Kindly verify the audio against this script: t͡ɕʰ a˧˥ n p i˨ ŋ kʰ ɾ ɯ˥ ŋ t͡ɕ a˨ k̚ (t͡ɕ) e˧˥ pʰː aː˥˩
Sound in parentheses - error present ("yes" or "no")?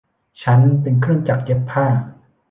no